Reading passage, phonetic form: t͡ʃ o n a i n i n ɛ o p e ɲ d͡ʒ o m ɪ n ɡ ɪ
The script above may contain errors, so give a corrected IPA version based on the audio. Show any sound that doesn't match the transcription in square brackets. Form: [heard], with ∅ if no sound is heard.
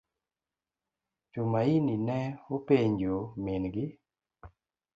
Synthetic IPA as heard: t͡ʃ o [m] a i n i n ɛ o p e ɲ d͡ʒ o m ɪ n ɡ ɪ